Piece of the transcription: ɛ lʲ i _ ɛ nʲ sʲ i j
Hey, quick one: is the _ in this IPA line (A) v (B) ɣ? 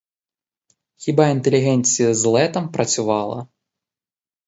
B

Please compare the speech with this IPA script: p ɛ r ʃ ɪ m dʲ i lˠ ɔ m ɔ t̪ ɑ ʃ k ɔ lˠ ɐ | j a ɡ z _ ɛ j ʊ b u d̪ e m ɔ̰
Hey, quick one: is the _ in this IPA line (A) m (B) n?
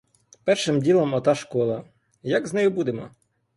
B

